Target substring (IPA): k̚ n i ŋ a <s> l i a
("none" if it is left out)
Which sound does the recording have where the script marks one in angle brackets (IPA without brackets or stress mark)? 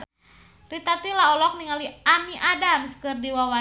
none